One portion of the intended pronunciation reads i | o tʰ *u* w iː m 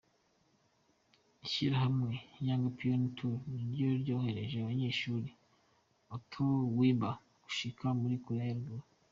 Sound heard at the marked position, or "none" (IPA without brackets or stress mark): o